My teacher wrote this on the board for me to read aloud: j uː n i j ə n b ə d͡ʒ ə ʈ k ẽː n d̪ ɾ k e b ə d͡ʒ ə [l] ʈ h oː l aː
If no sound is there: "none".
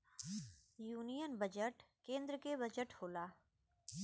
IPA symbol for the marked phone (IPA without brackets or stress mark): none